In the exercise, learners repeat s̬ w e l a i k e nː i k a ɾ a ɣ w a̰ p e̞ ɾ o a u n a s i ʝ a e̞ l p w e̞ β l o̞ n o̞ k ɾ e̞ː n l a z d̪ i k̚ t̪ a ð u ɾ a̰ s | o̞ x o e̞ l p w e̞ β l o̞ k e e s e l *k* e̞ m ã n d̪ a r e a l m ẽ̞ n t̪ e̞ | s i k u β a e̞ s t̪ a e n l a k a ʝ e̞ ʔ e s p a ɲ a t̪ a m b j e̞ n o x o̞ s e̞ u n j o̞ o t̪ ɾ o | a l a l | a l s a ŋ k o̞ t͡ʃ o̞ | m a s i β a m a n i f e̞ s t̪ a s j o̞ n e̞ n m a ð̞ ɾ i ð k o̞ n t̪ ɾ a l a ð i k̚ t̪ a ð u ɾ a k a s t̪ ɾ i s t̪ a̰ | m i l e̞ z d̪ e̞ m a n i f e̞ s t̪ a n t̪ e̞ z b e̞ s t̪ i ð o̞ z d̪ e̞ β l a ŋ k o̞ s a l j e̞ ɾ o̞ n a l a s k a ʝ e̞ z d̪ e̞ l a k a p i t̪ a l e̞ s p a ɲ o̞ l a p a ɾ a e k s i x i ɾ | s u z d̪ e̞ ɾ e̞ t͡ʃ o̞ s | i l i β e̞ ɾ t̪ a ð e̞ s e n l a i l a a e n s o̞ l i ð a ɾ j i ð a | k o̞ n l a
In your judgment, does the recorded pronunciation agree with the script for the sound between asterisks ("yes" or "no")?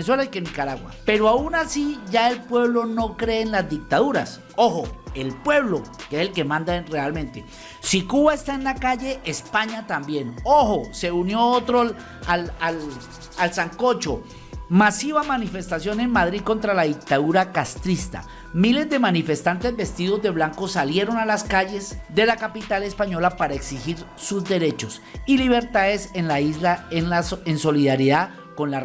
yes